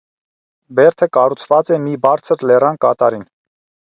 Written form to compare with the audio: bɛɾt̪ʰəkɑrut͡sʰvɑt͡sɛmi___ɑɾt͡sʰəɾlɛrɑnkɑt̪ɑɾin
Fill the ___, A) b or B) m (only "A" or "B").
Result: A